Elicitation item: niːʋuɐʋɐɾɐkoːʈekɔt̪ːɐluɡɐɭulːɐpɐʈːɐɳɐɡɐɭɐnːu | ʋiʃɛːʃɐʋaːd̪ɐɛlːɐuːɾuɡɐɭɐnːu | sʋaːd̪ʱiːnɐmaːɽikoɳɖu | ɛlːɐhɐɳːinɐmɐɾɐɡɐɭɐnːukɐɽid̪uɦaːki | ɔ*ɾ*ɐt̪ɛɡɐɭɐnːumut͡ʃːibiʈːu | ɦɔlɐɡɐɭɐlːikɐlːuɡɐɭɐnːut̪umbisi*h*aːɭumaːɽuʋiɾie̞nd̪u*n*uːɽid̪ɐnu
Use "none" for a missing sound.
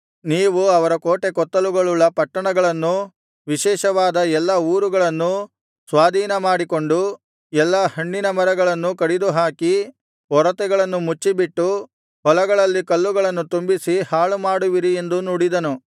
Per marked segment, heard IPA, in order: ɾ, h, n

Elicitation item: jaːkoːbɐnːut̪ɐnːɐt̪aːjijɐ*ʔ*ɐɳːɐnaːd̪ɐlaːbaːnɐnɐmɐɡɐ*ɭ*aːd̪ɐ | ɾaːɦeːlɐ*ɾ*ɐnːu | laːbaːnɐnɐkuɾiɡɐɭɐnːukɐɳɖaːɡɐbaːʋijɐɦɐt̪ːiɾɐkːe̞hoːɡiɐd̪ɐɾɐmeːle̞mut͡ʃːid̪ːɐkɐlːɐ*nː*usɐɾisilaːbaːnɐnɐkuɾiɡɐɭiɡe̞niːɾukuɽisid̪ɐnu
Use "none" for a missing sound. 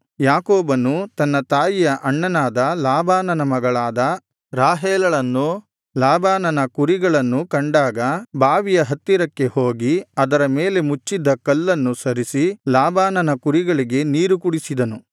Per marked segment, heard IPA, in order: ʔ, ɭ, ɭ, nː

